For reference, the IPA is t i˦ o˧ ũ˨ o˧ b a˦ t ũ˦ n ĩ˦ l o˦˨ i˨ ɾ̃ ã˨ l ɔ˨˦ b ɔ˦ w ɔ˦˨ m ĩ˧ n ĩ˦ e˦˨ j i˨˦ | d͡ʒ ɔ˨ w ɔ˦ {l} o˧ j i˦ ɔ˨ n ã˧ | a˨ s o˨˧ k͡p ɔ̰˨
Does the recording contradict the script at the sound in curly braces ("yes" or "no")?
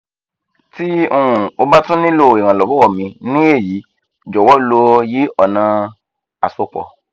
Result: no